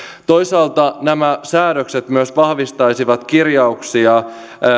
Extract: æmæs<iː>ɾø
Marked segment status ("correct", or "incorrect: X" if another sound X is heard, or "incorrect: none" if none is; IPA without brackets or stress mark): incorrect: æː